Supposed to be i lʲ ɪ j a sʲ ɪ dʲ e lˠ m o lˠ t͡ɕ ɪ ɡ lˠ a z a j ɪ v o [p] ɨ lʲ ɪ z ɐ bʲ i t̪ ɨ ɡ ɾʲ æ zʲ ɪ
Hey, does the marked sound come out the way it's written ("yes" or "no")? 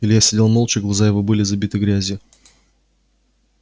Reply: no